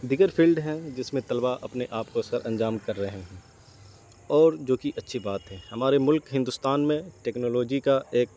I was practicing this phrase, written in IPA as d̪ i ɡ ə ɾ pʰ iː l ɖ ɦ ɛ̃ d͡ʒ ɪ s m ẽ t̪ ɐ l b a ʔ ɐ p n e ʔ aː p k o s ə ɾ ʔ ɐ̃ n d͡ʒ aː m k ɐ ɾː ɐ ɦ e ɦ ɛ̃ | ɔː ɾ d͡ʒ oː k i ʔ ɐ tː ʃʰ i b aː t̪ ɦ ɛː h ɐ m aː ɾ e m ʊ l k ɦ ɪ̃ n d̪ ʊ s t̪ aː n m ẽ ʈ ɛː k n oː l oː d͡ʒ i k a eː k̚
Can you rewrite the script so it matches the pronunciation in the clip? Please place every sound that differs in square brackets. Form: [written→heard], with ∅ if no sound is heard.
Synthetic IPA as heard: d̪ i ɡ ə ɾ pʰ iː l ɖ ɦ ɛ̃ d͡ʒ ɪ s m ẽ t̪ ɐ l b a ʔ ɐ p n e ʔ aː p k o s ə ɾ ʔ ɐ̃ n d͡ʒ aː m k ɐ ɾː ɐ ɦ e ɦ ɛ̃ | ɔː ɾ d͡ʒ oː k i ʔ ɐ tː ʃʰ i b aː t̪ ɦ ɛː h ɐ m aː ɾ e m ʊ l k ɦ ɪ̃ n d̪ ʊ s t̪ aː n m ẽ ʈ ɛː k n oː l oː d͡ʒ i k a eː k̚